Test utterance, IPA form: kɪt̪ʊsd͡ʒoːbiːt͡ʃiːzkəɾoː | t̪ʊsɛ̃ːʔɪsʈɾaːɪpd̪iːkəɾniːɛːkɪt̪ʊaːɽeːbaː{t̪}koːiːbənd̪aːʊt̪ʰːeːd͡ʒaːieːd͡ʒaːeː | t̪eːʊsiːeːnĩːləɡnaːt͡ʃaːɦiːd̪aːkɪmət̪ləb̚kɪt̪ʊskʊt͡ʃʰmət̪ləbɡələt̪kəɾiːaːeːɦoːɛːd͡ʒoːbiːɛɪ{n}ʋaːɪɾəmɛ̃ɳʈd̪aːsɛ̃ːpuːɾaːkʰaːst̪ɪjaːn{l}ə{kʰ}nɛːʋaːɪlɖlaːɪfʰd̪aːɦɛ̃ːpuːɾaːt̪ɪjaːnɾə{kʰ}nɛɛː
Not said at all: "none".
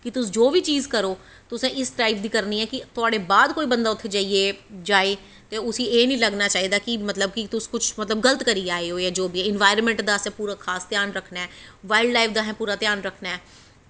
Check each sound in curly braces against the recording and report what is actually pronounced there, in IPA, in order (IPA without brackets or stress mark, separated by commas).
d̪, n, ɾ, kʰ, kʰ